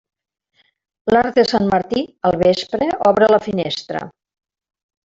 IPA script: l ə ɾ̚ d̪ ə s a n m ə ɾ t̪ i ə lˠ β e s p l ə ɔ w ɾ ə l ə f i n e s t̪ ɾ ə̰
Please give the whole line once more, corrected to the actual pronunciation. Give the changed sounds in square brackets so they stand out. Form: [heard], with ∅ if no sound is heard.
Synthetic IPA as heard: l [a] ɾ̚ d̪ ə s a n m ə ɾ t̪ i ə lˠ β e s p [ɾ] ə ɔ [β] ɾ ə l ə f i n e s t̪ ɾ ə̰